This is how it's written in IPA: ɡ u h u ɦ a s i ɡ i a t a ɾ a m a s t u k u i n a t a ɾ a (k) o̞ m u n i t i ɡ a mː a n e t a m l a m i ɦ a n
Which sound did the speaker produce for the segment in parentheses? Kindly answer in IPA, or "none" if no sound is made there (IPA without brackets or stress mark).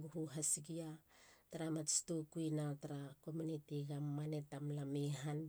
k